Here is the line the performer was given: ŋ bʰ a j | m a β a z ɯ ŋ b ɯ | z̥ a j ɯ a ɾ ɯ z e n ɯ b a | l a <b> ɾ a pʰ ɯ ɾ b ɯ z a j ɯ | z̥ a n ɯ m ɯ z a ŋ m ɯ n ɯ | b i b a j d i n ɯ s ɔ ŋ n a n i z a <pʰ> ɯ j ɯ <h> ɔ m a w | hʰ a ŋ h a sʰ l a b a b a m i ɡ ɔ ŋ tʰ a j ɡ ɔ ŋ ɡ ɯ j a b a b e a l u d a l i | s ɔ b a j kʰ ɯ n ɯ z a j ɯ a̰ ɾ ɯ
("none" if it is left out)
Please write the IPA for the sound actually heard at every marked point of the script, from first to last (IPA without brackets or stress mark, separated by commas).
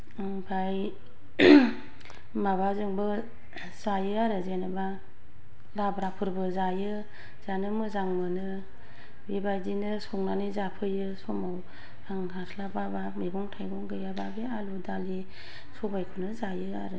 b, pʰ, s